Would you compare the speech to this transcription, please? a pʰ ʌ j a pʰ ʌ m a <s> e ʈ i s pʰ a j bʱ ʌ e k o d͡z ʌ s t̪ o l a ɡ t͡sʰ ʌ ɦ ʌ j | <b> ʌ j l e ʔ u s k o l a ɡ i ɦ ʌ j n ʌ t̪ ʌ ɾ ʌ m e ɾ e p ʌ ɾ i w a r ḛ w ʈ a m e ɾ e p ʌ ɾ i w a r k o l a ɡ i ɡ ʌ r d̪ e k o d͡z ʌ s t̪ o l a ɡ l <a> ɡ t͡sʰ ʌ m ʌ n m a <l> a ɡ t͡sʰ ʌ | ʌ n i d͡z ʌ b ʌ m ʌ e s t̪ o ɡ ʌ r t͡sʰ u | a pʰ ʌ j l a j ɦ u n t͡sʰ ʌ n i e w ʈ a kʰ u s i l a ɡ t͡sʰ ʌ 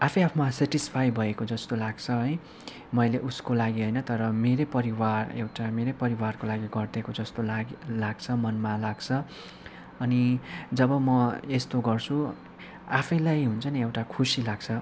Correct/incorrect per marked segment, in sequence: correct, incorrect: m, correct, correct

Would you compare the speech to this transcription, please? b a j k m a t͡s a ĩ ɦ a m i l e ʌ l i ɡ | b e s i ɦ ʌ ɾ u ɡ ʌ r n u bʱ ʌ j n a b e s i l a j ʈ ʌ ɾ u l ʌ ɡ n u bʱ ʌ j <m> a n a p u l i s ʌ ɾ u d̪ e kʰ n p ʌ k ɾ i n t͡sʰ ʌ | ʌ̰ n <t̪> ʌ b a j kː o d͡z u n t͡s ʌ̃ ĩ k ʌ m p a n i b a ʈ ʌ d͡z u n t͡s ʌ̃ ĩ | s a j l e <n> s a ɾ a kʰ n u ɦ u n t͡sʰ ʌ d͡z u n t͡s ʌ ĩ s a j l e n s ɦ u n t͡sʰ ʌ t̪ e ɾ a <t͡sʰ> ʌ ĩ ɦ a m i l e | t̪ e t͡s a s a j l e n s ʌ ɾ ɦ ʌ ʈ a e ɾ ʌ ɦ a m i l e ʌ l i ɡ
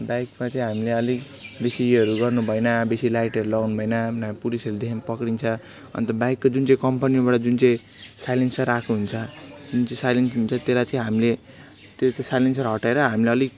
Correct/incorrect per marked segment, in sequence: incorrect: n, correct, correct, incorrect: t͡s

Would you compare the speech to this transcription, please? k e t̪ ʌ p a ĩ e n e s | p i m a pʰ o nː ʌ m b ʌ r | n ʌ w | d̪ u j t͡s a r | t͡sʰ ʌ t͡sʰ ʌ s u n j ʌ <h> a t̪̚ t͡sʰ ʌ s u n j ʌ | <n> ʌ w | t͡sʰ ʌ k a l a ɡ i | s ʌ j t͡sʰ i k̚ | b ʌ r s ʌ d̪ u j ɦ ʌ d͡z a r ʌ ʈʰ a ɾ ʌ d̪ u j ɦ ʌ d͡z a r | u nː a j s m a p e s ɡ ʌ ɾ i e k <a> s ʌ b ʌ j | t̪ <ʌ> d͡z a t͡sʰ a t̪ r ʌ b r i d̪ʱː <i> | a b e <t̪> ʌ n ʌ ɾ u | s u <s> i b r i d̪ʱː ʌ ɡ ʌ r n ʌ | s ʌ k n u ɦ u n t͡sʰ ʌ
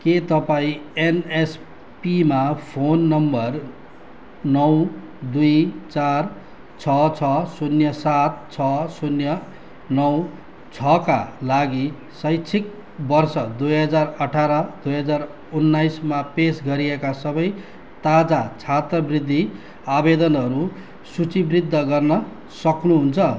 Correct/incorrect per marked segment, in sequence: incorrect: s, correct, correct, incorrect: a, correct, incorrect: d̪, incorrect: t͡s

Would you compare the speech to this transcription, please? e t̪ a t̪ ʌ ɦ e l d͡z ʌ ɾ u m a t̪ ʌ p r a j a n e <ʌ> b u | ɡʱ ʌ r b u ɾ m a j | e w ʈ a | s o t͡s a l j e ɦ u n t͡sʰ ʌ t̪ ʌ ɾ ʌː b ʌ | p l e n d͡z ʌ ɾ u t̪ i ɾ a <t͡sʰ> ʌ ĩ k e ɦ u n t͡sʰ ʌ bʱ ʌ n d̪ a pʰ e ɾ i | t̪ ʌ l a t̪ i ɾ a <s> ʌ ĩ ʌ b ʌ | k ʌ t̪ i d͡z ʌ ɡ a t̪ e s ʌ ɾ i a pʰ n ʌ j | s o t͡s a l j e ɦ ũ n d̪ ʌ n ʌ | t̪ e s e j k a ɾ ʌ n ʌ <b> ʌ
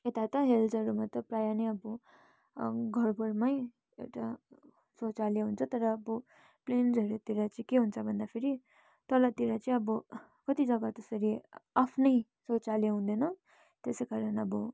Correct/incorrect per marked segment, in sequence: correct, incorrect: t͡s, incorrect: t͡s, correct

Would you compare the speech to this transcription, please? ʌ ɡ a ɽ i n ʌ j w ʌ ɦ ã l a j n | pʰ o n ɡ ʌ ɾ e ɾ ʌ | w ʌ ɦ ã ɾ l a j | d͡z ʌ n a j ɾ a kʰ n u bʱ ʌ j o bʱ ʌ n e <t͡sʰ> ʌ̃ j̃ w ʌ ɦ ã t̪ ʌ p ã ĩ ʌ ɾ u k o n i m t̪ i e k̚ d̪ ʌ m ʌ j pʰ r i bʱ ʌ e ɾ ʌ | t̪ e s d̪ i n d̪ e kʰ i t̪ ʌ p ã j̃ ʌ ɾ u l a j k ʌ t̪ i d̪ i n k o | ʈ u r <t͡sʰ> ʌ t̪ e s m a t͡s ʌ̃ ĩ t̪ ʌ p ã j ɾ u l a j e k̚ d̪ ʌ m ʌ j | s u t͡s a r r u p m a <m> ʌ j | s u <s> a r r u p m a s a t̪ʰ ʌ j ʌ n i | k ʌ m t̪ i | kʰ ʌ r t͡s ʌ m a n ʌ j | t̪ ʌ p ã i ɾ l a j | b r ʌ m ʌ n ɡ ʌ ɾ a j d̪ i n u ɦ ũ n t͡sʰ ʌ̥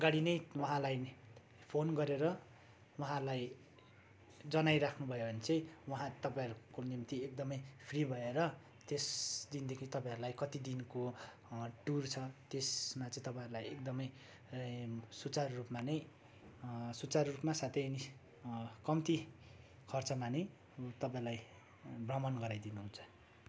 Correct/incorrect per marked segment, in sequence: incorrect: t͡s, correct, incorrect: n, incorrect: t͡s

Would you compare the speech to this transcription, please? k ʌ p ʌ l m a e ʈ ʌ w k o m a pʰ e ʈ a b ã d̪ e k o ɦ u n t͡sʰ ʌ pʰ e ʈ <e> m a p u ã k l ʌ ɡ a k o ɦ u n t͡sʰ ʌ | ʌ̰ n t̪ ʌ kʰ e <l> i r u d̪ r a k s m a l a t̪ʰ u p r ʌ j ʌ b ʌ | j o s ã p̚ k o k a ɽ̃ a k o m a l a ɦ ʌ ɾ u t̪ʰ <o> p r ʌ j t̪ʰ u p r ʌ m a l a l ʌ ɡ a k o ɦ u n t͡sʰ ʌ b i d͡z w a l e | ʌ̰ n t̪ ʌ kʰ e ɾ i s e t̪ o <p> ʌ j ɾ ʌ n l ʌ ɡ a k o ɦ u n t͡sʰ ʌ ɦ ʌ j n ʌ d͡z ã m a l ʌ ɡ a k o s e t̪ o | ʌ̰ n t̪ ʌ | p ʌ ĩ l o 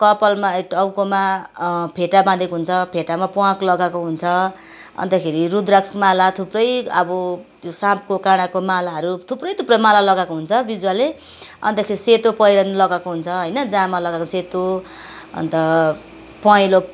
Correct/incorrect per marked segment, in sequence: incorrect: a, incorrect: ɾ, incorrect: u, correct

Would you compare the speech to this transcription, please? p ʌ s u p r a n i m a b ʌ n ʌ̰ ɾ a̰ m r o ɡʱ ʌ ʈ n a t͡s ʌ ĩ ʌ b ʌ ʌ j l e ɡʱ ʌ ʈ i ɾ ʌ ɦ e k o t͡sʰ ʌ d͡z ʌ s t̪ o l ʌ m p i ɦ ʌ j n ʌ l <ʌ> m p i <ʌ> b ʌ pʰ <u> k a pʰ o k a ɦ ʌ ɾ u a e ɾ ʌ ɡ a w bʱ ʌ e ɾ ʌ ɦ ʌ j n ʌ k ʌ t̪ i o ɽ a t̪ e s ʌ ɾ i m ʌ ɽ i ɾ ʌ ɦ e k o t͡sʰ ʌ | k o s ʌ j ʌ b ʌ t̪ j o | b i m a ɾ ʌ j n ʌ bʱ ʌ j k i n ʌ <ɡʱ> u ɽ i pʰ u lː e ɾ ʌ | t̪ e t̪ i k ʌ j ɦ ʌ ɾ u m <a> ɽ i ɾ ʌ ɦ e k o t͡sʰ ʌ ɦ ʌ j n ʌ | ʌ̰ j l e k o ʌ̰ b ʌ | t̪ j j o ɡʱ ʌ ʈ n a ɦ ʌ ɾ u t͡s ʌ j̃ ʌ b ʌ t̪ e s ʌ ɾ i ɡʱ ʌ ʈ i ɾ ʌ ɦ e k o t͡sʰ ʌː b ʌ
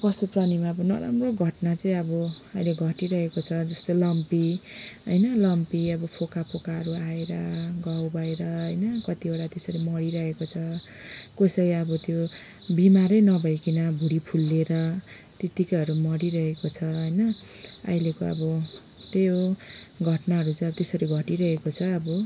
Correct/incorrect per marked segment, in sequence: correct, correct, incorrect: o, incorrect: bʱ, incorrect: ʌ

